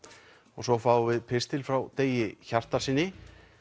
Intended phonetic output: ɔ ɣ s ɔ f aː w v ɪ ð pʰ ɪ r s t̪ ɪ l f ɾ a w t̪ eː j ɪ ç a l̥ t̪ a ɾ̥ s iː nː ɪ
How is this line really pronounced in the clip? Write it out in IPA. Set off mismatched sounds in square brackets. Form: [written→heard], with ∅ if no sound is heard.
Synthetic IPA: ɔ ɣ s ɔ f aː w v ɪ ð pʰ ɪ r s t̪ ɪ l f ɾ a w t̪ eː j ɪ ç a [l̥→r̥] t̪ a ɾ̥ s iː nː ɪ